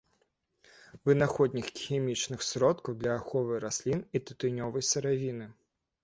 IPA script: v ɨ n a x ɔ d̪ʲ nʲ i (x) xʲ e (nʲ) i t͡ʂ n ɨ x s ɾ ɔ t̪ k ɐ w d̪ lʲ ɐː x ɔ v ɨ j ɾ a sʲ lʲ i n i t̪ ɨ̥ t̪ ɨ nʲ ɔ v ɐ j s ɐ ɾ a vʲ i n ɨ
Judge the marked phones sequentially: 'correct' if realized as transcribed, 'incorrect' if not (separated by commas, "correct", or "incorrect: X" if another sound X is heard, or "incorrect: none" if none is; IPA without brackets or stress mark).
correct, incorrect: mʲ